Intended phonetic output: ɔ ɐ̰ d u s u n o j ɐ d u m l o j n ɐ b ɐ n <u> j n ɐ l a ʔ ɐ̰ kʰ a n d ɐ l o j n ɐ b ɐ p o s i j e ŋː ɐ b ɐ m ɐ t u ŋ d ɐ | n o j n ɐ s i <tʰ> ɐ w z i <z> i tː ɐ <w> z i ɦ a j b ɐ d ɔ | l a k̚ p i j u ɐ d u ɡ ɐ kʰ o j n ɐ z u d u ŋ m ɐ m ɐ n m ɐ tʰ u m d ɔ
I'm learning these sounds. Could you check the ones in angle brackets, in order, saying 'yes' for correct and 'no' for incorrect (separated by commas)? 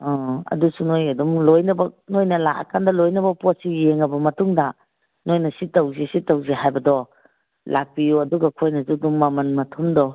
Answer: no, no, no, yes